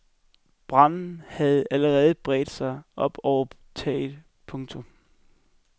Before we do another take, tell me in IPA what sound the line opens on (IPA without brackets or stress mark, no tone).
b̥